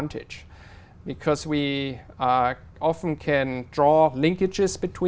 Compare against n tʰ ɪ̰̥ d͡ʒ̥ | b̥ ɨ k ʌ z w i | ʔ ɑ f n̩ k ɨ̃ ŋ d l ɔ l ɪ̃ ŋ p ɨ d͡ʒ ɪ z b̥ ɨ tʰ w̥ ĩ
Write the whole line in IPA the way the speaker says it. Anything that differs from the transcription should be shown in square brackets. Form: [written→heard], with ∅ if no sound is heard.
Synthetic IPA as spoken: n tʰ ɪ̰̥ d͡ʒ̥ | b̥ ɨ [k→kʰ] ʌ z w i | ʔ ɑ f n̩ [k→kʰ] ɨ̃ [ŋ→n] d [l→ɹ] ɔ l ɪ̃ ŋ [p→k] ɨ d͡ʒ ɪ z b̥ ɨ tʰ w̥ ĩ